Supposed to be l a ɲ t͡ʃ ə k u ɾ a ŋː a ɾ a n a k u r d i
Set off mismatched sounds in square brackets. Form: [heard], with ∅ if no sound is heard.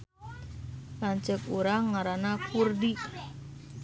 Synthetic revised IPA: l a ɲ t͡ʃ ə k u ɾ a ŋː a ɾ a n a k u r d i